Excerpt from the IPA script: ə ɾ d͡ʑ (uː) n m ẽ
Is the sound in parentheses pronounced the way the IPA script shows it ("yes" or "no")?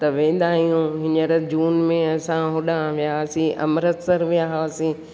yes